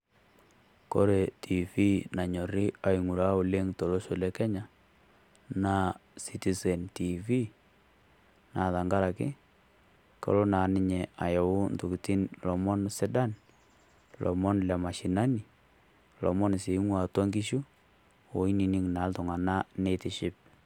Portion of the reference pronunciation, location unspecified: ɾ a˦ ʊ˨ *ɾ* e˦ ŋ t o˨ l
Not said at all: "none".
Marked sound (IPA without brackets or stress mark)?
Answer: l